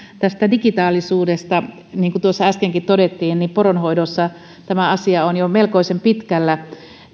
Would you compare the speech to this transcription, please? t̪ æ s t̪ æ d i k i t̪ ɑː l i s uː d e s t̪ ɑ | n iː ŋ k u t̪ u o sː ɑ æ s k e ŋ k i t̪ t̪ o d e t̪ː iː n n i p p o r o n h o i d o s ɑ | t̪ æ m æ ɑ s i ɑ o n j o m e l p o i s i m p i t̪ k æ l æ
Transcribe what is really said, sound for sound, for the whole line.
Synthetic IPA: t̪ æ s t̪ æ d i k i t̪ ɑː l i s uː d e s t̪ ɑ | n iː ŋ k u t̪ u o sː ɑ æ s k e ŋ k i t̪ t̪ o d e t̪ː iː n n i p p o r o n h o i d o sː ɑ | t̪ æ m æ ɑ s i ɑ o n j o m e l k o i s e m p i t̪ k æ lː æ

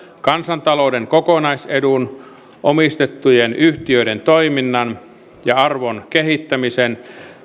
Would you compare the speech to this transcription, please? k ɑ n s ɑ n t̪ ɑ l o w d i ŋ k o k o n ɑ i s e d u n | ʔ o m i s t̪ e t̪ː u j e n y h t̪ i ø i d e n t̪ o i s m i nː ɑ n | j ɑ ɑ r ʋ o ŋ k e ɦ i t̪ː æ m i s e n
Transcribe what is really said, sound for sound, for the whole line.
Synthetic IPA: k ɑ n s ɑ n t̪ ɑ l o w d e ŋ k o k o n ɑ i s e d u n | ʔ o m i s t̪ e t̪ː u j e n y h t̪ i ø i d e n t̪ o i m i nː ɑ n | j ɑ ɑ r ʋ o n k e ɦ i t̪ː æ m i s e n

